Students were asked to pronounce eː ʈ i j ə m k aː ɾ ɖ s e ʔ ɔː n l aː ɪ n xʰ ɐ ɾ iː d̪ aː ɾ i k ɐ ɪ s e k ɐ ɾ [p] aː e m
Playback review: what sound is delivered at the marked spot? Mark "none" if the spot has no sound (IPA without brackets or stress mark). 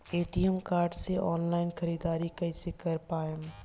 p